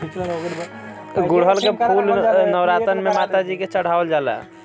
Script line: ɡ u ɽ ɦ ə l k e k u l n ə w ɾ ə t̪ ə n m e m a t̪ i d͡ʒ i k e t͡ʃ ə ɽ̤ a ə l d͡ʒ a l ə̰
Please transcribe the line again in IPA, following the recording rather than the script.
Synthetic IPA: ɡ u ɽ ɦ ə l k e p u l n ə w ɾ a t̪ ə n m e m a t̪ a d͡ʒ i k e t͡ʃ ə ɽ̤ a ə l d͡ʒ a l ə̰